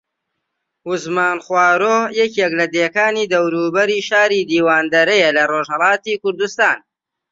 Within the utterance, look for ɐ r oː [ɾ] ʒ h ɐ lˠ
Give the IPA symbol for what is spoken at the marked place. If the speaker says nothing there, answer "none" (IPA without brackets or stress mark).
none